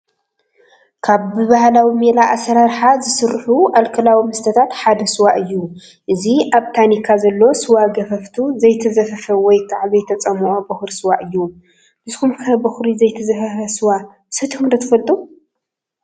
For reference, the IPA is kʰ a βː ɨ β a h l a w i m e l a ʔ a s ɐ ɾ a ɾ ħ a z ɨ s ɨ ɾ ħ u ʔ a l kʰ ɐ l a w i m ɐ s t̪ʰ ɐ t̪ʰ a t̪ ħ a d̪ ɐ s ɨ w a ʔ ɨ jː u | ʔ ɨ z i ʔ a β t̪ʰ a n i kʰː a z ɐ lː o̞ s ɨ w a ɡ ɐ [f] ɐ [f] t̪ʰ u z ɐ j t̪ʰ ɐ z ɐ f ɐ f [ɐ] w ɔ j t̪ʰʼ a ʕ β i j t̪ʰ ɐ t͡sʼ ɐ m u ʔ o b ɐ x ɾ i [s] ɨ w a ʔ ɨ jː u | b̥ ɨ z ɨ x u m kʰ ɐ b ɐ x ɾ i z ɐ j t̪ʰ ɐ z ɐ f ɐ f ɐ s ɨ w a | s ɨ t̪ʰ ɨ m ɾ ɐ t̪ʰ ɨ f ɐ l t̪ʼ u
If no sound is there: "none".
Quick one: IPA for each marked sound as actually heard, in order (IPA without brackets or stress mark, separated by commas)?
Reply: f, f, ɐ, s